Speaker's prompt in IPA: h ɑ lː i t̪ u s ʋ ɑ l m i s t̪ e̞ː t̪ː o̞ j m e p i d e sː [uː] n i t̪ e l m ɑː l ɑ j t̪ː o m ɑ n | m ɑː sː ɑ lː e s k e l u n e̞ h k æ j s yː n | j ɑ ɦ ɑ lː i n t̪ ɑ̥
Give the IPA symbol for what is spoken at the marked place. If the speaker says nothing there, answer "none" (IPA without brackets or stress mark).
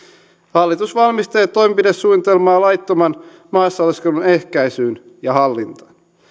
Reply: uː